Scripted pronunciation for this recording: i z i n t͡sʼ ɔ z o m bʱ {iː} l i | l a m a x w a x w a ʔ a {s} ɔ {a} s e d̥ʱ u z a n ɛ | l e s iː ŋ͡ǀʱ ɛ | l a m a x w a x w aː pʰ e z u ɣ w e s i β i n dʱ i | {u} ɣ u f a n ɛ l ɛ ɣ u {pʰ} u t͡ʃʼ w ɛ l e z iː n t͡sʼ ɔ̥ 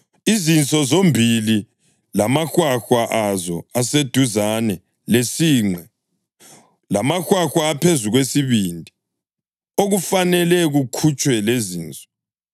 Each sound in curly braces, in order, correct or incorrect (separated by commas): incorrect, incorrect, correct, incorrect, incorrect